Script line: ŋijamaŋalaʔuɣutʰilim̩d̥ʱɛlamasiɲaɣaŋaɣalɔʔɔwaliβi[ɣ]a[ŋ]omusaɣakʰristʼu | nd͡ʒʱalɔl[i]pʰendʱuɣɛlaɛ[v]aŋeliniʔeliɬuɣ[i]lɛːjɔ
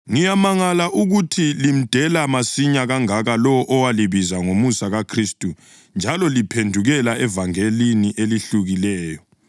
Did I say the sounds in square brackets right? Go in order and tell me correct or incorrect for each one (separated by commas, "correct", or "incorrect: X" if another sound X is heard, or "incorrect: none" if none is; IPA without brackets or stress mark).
incorrect: z, correct, correct, correct, correct